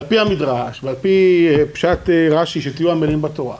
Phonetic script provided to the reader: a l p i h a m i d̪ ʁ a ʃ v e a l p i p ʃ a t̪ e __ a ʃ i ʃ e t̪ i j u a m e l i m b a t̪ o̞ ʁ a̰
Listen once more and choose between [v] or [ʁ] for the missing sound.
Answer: ʁ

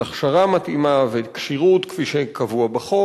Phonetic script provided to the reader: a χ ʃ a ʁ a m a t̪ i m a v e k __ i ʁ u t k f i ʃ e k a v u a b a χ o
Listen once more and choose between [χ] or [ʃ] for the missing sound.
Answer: ʃ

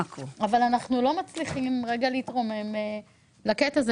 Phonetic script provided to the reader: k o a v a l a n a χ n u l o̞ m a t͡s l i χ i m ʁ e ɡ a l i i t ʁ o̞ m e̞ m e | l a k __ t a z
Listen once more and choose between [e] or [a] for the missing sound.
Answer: e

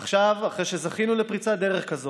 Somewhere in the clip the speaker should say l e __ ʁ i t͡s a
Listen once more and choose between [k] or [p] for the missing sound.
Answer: p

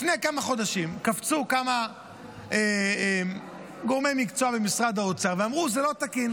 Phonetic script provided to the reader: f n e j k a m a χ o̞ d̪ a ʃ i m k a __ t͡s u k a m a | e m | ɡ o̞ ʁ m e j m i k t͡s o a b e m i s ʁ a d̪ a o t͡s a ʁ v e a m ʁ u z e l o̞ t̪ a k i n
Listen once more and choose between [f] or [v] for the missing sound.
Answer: f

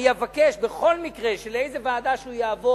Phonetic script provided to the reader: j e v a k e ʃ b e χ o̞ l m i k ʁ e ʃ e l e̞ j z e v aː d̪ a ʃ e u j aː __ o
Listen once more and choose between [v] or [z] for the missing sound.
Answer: v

